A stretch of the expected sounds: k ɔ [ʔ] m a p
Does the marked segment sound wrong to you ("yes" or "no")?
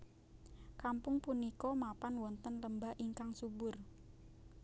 yes